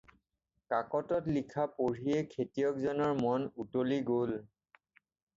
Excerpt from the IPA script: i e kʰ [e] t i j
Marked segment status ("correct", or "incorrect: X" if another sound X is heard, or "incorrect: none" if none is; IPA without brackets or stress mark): correct